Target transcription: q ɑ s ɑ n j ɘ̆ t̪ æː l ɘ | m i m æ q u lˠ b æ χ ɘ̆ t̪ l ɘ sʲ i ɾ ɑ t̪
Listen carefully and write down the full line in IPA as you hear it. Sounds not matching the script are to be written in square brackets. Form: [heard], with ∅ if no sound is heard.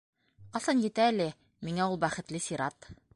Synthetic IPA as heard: q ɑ s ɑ n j ɘ̆ t̪ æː l ɘ | m i [ŋ] æ [∅] u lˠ b æ χ ɘ̆ t̪ l ɘ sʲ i ɾ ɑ t̪